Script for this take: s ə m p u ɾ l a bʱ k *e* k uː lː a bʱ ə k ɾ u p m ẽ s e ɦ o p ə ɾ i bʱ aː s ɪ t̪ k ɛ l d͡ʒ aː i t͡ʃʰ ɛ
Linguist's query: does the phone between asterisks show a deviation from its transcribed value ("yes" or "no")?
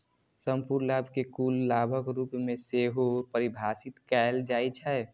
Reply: no